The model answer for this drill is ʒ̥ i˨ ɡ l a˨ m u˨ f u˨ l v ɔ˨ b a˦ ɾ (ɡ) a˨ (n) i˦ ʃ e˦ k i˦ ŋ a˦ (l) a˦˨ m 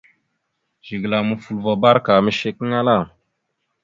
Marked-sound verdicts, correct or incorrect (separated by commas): incorrect, incorrect, correct